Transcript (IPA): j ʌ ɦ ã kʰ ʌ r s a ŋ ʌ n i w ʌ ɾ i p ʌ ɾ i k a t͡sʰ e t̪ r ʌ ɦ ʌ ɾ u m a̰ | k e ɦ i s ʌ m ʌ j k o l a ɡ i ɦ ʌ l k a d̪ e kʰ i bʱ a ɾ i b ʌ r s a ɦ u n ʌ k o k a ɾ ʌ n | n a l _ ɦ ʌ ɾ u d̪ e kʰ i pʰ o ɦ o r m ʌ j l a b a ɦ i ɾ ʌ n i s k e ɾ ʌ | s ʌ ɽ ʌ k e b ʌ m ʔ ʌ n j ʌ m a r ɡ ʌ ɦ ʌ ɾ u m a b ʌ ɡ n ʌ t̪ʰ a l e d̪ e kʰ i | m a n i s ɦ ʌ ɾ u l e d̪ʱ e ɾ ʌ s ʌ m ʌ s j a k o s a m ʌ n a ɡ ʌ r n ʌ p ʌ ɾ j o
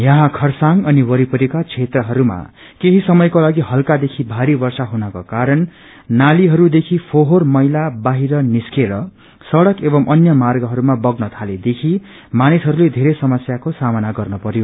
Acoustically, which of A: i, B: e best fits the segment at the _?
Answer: A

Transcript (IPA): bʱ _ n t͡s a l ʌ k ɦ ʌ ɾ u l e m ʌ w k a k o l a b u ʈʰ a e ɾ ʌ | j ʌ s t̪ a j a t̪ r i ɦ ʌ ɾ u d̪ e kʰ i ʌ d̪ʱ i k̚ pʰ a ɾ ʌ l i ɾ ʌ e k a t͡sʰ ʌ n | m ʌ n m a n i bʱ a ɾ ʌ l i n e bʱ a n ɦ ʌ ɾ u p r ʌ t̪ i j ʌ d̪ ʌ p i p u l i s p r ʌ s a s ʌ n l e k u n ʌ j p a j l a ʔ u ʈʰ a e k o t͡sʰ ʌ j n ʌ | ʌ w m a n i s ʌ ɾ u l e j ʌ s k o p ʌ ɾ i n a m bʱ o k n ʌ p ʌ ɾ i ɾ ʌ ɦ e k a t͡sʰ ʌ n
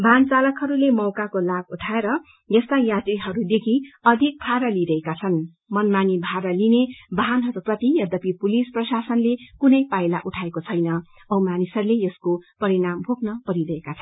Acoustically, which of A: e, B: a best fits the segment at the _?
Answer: B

